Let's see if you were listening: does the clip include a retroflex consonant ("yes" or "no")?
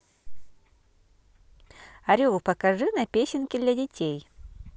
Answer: yes